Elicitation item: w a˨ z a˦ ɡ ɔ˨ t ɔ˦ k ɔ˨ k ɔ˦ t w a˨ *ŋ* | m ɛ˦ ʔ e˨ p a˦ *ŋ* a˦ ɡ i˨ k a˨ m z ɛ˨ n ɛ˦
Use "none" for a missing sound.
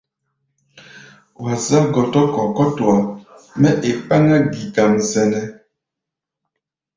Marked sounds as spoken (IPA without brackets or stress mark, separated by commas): none, ŋ